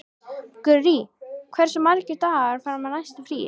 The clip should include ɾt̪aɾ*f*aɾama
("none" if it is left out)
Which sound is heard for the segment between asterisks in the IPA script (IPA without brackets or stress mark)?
f